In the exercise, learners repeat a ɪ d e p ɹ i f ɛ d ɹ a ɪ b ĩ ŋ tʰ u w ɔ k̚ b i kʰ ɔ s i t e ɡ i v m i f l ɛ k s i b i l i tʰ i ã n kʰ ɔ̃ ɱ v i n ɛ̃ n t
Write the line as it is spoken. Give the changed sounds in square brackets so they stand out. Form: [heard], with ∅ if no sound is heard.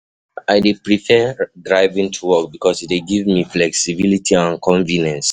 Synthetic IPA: a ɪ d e p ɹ i f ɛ d ɹ a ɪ [v] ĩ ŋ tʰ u w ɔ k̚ b i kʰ ɔ s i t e ɡ i v m i f l ɛ k s i b i l i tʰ i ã n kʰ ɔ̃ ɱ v i n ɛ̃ n [s]

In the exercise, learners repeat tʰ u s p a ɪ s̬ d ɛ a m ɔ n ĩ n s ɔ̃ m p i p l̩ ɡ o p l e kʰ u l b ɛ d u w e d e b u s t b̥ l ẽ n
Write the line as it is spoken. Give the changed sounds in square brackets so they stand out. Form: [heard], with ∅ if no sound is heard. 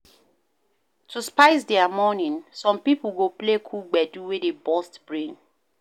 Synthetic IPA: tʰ u s p a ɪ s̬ d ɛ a m ɔ n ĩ n s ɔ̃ m p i p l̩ ɡ o p l e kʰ u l [ɡ͡b] ɛ d u w e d e b [ɔ] s t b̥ [ɹ] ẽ n

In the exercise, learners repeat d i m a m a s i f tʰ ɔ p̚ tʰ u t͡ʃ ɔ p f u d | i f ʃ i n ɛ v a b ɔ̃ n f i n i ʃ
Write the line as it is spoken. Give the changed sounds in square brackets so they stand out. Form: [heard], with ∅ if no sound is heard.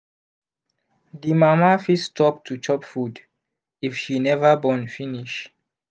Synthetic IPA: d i m a m a [f] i [s] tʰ ɔ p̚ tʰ u t͡ʃ ɔ p f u d | i f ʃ i n ɛ v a b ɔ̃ n f i n i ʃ

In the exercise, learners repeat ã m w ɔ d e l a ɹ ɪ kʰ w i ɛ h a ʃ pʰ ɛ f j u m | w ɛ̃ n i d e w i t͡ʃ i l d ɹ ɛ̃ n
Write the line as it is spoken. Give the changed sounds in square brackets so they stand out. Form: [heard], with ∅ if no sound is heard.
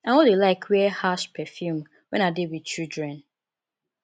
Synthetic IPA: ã [n] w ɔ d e l a [∅] ɪ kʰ w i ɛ h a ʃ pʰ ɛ f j u m | w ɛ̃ n [a] d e w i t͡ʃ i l d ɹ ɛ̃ n

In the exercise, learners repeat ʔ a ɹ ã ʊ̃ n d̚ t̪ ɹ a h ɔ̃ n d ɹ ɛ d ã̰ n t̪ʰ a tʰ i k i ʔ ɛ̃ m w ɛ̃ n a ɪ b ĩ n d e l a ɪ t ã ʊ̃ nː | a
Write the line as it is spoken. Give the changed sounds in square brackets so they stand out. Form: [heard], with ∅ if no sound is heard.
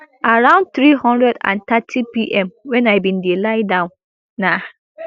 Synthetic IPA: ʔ a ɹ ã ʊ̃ n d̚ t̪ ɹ [i] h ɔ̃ n d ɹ ɛ d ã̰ n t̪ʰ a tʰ i [p] i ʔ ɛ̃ m w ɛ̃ n a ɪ b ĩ n d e l a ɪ [d] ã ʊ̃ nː | a

